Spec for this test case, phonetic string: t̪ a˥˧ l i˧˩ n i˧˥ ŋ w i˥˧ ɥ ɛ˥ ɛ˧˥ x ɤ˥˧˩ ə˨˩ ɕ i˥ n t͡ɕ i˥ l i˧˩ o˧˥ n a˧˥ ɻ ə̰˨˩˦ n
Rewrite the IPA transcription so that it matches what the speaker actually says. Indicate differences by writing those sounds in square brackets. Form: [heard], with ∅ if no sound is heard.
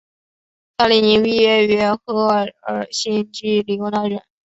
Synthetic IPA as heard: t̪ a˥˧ l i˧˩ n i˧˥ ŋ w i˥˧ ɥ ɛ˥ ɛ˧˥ x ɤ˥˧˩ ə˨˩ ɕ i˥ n t͡ɕ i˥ l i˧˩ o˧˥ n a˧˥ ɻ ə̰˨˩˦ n